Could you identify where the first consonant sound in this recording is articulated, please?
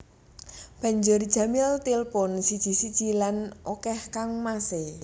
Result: labial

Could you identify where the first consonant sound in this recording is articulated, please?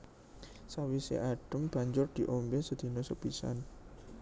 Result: alveolar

